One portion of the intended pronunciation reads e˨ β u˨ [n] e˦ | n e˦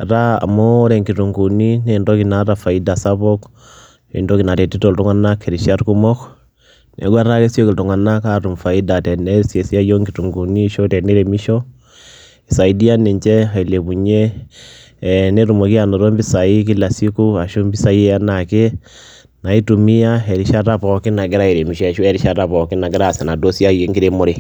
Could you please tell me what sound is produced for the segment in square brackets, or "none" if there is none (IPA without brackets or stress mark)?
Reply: ɲ